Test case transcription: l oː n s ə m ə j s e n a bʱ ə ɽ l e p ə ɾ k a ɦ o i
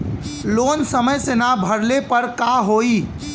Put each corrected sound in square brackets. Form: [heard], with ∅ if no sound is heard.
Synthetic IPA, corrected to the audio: l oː n s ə m ə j s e n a bʱ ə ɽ l e p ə ɾ k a ɦ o i